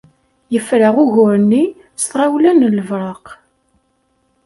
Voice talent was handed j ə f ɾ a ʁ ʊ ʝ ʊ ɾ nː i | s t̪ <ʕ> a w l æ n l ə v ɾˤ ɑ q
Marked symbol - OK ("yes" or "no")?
no